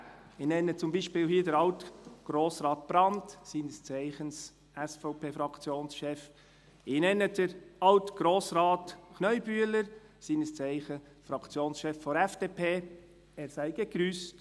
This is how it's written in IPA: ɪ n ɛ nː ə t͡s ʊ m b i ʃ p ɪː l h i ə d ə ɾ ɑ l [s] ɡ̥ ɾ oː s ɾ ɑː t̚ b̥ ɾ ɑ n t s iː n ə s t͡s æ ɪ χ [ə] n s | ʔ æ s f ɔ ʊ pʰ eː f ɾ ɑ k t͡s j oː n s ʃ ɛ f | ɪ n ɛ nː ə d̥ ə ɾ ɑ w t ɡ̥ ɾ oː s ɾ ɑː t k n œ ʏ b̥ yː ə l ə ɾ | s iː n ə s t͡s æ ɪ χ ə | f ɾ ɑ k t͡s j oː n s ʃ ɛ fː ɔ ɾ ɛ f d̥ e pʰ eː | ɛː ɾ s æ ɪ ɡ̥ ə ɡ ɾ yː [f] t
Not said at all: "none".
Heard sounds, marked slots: t, ə, s

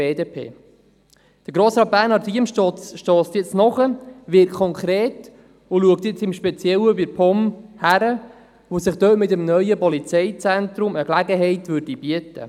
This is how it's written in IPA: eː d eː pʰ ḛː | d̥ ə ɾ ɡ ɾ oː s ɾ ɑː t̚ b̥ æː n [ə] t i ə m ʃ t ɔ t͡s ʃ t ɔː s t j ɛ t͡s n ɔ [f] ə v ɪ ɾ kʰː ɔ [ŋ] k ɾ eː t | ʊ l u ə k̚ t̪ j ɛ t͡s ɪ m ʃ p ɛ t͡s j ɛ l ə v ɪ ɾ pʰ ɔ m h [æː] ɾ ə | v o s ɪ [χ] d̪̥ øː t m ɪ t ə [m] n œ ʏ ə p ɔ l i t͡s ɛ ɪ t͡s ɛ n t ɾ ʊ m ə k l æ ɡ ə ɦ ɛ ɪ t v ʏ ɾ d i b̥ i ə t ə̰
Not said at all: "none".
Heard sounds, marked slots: ɑ, χ, ŋ, æ, χ, m

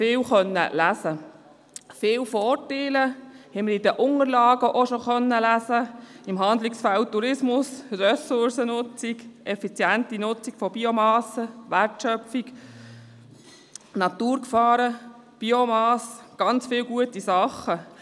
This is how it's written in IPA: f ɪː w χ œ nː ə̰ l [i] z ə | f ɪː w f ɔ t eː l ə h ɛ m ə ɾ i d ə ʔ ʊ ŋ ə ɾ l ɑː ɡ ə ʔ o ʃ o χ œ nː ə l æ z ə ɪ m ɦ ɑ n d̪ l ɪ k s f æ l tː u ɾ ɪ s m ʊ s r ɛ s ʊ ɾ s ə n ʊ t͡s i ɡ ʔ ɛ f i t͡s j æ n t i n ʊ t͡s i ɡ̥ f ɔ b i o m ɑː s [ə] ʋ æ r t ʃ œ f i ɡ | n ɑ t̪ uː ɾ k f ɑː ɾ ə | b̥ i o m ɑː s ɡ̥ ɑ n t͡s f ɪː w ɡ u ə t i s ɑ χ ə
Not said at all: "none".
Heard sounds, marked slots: æ, ə

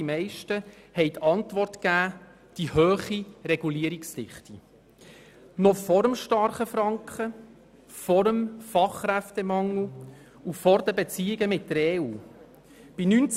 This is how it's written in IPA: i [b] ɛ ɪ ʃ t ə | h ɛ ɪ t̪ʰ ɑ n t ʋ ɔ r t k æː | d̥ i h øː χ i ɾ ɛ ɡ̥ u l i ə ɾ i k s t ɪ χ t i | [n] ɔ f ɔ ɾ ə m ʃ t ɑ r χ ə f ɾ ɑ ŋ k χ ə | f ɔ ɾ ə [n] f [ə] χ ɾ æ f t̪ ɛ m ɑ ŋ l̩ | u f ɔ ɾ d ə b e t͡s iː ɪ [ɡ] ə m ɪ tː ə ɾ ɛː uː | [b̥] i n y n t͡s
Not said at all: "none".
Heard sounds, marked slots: m, n, m, ɑ, ɡ, b̥

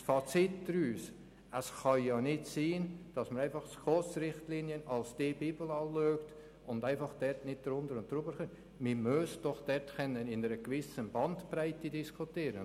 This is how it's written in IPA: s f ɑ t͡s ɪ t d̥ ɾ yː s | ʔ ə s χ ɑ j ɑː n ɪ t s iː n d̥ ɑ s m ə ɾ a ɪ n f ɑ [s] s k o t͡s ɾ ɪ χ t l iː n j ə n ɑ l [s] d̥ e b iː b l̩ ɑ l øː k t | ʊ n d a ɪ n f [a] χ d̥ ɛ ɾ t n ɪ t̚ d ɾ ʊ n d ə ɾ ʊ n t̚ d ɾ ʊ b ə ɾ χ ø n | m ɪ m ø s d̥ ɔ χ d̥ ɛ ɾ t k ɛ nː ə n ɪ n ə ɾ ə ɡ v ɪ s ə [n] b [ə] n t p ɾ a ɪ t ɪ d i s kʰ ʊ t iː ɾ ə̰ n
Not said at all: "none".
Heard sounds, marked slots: χ, s, ɑ, n, ɑ

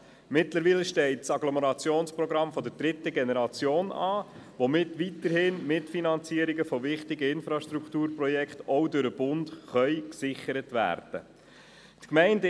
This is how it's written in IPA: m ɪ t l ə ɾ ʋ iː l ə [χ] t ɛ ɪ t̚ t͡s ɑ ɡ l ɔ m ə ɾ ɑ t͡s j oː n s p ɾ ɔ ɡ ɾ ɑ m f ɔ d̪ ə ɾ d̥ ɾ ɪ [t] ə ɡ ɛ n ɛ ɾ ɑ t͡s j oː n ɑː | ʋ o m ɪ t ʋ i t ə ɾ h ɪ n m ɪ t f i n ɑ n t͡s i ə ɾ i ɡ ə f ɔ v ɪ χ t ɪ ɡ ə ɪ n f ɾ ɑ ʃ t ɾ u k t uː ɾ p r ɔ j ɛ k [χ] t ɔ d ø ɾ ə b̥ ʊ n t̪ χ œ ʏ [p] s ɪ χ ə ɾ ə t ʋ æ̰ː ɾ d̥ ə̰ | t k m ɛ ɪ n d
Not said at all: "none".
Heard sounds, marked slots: ʃ, t, χ, k

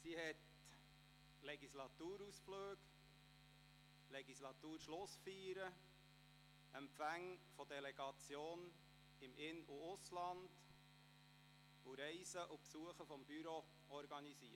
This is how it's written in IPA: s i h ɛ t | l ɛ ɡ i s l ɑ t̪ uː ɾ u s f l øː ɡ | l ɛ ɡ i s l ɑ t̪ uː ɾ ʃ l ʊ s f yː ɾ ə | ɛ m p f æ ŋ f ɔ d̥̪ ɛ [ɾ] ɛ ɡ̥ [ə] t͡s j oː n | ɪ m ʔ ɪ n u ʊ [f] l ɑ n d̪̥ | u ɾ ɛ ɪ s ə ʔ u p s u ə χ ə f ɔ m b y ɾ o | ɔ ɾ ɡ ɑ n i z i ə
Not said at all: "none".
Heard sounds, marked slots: l, ɑ, s

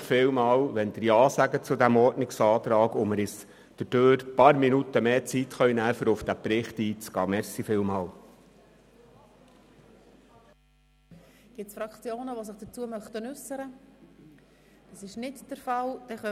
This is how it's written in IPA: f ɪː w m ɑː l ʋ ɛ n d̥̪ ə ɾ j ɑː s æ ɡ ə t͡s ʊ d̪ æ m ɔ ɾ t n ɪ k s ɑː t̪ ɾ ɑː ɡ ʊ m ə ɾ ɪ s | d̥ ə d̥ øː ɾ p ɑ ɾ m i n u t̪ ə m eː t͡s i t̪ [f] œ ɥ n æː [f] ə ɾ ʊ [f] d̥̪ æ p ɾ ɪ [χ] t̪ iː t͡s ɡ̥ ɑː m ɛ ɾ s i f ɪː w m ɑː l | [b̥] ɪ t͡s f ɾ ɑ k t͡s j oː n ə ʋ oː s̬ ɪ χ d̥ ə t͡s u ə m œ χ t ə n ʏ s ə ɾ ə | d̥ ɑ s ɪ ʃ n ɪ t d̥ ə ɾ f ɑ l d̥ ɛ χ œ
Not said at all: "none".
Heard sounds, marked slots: χ, f, f, χ, ɡ̥

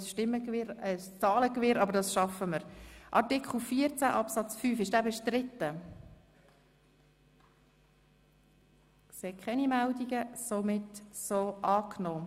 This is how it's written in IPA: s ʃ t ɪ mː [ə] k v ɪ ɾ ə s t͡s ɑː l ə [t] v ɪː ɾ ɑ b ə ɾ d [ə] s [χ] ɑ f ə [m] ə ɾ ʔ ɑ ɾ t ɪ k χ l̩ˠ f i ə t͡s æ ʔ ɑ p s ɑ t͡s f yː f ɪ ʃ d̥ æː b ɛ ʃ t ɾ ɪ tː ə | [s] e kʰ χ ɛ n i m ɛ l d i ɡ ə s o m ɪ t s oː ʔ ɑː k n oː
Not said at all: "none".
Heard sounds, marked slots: ə, k, ɑ, ʃ, m, s

